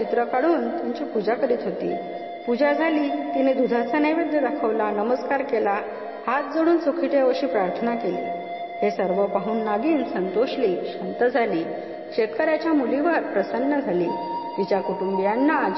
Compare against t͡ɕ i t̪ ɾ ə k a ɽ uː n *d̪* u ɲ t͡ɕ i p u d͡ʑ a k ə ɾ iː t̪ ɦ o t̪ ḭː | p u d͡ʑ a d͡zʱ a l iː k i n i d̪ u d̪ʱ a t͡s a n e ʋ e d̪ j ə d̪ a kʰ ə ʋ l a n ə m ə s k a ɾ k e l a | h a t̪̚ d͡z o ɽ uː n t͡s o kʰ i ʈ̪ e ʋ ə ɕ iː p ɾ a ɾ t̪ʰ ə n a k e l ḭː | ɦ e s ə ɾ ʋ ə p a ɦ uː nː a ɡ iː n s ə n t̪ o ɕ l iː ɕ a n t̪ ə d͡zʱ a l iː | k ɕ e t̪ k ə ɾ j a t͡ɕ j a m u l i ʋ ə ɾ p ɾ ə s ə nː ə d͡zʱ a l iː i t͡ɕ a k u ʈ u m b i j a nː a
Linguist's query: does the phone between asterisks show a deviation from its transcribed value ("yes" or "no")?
yes